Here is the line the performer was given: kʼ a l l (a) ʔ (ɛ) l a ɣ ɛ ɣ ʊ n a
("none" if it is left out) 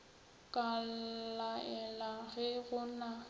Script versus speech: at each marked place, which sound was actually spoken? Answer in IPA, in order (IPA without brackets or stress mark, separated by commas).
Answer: a, ɛ